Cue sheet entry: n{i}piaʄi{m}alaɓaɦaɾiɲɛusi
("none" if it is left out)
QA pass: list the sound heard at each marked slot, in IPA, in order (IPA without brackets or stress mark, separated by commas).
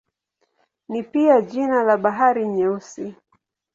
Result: i, n